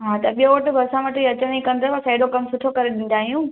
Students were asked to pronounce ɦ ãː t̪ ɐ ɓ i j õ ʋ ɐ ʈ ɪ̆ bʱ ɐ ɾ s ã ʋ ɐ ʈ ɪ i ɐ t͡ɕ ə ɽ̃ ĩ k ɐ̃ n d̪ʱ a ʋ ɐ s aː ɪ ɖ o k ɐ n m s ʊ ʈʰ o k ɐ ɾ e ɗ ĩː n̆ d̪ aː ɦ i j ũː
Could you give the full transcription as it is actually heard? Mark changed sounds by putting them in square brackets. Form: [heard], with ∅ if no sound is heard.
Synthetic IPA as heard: ɦ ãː t̪ ɐ ɓ i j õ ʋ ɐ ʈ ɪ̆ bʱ ɐ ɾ s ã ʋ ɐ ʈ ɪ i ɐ t͡ɕ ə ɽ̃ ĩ k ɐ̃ n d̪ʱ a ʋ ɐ s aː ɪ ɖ o k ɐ [∅] m s ʊ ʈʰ o k ɐ ɾ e ɗ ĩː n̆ d̪ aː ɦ i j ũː